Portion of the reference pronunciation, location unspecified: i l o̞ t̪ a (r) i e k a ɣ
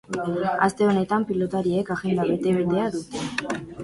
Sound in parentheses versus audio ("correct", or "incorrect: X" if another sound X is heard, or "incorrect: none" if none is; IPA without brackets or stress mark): incorrect: ɾ